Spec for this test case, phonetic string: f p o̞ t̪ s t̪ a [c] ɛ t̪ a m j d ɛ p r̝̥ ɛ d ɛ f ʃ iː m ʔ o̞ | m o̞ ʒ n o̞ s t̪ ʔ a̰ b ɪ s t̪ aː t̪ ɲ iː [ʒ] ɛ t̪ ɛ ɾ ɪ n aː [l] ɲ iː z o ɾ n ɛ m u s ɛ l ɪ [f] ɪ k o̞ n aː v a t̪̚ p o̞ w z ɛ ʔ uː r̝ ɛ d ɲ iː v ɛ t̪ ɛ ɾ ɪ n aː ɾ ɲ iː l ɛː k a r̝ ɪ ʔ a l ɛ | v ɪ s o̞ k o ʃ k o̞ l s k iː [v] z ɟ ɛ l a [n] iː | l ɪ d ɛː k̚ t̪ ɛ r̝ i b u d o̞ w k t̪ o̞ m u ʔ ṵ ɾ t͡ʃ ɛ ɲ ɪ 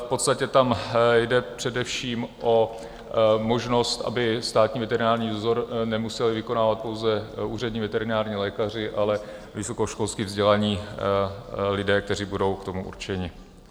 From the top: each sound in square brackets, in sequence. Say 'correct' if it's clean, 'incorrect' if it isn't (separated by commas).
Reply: correct, incorrect, incorrect, incorrect, correct, incorrect